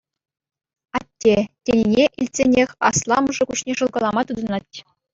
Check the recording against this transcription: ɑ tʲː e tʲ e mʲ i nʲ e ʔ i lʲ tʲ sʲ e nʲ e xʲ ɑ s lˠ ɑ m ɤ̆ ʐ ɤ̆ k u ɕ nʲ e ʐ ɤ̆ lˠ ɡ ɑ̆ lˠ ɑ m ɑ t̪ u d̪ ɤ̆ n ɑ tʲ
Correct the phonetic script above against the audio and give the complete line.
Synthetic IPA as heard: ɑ tʲː e tʲ e nʲ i nʲ e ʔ i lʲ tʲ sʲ e nʲ e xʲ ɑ s lˠ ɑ m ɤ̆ ʐ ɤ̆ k u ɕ nʲ e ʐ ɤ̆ lˠ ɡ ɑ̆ lˠ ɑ m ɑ t̪ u d̪ ɤ̆ n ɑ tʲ